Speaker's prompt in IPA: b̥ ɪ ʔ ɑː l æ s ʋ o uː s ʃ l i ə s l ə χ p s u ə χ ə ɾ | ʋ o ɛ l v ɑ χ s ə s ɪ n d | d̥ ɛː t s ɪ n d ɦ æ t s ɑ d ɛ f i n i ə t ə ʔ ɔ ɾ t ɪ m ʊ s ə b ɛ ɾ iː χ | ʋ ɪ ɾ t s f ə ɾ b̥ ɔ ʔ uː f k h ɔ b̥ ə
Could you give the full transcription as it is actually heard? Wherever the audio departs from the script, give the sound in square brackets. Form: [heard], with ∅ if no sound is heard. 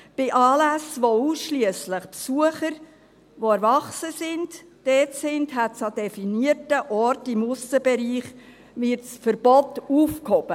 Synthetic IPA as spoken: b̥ ɪ ʔ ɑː l æ s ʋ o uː s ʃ l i ə s l ə χ p s u ə χ ə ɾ | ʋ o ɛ [ɾ] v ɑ χ s ə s ɪ n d | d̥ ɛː t s ɪ n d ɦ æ t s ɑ d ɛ f i n i ə t ə ʔ ɔ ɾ t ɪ m ʊ s ə b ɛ ɾ iː χ | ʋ ɪ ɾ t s f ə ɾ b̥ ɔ [t] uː f k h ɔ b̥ ə